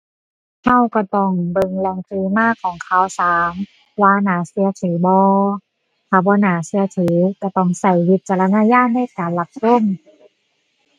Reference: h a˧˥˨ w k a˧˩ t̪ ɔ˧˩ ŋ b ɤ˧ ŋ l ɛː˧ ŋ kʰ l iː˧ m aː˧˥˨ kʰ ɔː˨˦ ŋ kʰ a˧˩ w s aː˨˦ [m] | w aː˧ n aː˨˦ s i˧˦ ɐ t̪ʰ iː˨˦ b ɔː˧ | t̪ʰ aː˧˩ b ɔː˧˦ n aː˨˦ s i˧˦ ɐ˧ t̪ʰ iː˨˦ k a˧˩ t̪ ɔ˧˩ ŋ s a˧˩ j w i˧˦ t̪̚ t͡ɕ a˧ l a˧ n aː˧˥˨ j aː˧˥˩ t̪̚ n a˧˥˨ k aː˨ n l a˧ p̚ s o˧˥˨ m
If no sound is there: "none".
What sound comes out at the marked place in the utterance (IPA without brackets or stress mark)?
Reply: m